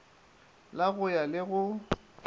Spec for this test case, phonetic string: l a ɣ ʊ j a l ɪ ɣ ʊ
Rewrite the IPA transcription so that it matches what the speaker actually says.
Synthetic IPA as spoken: l a ɣ ʊ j a l ɪ ɣ ʊ